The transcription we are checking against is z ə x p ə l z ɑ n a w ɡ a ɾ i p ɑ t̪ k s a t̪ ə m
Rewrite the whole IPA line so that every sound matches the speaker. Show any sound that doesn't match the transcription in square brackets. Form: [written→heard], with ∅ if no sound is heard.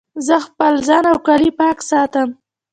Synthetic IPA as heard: z ə x p ə l z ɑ n a w [ɡ→k] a [ɾ→l] i p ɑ [t̪→∅] k s [a→ɑ] t̪ ə m